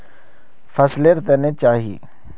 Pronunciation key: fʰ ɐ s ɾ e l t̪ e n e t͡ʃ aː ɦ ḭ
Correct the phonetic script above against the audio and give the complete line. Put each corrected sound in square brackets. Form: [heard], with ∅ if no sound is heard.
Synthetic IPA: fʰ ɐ s [l] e [ɾ] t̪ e n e t͡ʃ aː ɦ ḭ